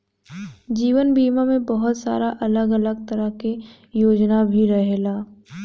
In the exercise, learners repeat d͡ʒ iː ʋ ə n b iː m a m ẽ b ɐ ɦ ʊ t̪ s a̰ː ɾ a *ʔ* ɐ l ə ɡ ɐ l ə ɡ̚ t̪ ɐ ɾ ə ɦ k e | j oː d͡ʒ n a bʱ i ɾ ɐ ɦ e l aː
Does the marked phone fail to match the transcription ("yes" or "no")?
no